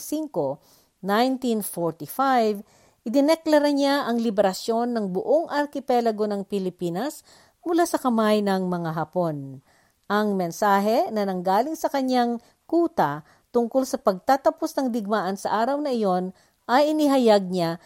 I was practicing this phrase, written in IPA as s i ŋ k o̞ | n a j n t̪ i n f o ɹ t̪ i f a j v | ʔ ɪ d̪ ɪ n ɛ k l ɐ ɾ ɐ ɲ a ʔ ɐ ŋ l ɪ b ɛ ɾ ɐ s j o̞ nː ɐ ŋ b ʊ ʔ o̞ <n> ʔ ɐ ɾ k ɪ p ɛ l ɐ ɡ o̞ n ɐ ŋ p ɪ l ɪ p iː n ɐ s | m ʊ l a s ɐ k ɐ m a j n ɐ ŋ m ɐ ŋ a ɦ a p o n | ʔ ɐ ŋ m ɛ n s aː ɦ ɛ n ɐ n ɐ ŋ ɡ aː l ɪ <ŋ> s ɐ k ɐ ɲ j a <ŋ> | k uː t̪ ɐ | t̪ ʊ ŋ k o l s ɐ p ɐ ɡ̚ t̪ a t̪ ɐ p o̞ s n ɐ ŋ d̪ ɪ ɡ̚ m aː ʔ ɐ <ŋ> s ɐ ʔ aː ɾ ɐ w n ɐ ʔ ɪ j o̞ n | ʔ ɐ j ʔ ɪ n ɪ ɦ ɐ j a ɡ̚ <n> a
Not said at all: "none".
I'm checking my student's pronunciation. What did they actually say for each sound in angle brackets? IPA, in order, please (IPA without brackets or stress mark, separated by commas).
ŋ, ŋ, ŋ, n, ɲ